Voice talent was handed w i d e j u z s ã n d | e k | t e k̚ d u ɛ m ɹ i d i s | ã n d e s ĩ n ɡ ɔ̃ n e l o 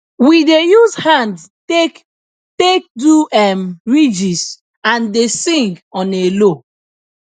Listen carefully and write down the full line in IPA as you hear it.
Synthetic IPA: w i d e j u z h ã n d | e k | t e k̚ d u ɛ m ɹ i d͡ʒ i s | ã n d e s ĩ ŋ ɡ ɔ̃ n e l o